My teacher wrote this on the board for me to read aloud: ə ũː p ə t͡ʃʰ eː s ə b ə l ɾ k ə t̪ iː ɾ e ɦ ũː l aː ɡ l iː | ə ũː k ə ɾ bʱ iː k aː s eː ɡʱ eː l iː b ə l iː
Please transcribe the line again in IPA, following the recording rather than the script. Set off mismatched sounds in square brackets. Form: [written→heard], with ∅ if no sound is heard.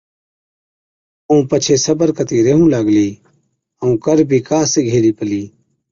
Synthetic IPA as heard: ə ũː p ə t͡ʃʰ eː s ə b ə [l→∅] ɾ k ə t̪ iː ɾ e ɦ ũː l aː ɡ l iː | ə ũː k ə ɾ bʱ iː k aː s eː ɡʱ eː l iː [b→p] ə l iː